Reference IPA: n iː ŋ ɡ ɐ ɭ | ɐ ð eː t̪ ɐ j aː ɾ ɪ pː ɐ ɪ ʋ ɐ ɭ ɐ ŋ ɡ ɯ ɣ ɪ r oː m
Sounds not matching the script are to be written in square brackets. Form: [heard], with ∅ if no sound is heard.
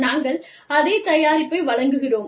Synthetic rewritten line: n [aː] ŋ ɡ ɐ ɭ | ɐ ð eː t̪ ɐ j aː ɾ ɪ pː ɐ ɪ ʋ ɐ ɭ ɐ ŋ ɡ ɯ ɣ ɪ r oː m